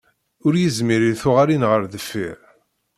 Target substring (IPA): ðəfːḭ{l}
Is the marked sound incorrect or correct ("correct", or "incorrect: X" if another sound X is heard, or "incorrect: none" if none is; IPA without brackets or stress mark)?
incorrect: ɾ